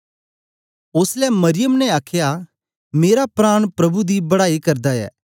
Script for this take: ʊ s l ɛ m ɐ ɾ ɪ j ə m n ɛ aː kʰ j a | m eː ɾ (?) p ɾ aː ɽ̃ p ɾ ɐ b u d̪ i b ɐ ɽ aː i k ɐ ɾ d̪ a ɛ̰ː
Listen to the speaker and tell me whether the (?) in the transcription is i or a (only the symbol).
a